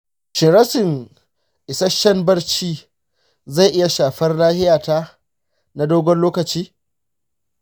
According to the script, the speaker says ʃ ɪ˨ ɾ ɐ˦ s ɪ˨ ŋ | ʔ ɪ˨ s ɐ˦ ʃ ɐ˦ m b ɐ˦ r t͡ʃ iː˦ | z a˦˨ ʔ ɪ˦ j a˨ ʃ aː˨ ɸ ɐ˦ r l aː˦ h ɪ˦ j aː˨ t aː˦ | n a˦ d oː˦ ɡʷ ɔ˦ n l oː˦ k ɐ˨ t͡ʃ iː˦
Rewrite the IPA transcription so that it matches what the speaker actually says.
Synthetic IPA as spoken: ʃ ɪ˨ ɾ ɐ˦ s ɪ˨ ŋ | ʔ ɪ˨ s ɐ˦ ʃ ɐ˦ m b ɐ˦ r t͡ʃ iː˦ | z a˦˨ ʔ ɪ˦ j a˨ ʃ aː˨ ɸ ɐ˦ r l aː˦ h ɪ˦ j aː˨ t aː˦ | n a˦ d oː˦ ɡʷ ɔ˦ n l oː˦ k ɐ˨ t͡ʃ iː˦